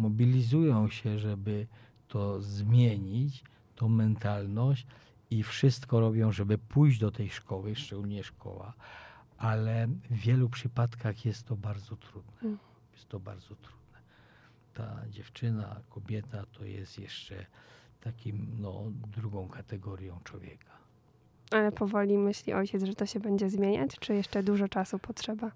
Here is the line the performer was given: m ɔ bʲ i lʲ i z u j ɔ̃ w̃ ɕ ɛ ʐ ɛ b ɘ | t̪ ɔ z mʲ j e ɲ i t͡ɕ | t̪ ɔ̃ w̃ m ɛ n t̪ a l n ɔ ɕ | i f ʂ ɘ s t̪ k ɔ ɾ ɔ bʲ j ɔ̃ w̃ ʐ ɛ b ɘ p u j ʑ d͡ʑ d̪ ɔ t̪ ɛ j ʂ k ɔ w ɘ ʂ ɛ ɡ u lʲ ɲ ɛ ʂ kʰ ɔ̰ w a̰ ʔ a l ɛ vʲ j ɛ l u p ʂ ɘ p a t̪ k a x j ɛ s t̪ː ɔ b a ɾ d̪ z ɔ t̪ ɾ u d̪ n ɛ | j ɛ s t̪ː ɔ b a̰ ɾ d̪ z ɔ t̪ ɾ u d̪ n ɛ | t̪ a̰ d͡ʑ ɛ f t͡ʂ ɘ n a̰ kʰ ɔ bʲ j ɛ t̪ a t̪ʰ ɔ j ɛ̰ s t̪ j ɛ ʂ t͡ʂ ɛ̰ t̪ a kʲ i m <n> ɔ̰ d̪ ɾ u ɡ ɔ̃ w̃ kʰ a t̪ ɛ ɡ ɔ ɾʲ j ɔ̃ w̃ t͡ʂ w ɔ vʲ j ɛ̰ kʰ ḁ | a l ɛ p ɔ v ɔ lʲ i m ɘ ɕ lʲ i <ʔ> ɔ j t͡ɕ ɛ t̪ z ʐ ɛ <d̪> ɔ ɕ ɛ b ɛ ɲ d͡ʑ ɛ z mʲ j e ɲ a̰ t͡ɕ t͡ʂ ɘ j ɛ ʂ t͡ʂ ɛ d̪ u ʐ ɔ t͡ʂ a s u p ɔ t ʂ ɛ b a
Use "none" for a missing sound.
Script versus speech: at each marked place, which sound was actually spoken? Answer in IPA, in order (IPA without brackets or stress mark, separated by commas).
n, ʔ, t̪